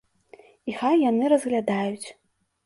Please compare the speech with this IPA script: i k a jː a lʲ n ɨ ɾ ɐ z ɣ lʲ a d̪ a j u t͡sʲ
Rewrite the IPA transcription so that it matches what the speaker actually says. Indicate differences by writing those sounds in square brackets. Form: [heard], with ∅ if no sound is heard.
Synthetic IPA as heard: i [x] a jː a [∅] n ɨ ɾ ɐ z ɣ lʲ a d̪ a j u t͡sʲ